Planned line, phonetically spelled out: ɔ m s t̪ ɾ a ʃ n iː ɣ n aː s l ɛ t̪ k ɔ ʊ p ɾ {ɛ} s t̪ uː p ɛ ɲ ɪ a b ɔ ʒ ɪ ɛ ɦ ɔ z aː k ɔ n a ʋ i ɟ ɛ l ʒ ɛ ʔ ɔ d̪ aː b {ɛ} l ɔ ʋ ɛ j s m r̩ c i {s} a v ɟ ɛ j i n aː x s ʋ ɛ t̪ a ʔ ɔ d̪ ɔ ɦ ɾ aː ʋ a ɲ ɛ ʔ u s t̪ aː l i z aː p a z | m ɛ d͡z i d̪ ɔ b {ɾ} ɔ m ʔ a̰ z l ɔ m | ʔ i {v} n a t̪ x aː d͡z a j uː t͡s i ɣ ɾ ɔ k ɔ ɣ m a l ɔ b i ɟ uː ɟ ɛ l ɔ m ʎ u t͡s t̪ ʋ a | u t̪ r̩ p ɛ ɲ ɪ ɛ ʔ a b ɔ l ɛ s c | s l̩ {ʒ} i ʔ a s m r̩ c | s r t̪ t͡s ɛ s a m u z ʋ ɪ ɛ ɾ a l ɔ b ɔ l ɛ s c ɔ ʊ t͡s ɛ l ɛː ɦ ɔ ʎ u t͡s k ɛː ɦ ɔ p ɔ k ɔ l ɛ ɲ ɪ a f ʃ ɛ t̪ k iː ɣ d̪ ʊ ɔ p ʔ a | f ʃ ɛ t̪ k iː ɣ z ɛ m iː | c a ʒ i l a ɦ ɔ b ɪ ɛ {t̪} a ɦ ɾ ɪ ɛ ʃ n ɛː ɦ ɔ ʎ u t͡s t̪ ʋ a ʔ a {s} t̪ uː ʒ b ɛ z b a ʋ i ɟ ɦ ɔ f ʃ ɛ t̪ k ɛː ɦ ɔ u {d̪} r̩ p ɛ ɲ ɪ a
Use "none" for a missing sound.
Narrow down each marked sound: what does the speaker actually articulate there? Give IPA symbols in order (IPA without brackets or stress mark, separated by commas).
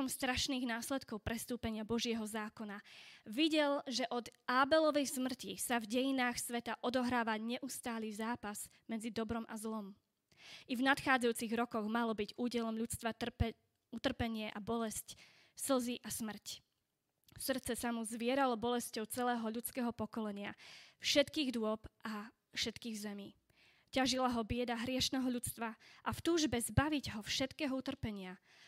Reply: ɛ, ɛ, s, ɾ, v, z, d̪, f, t̪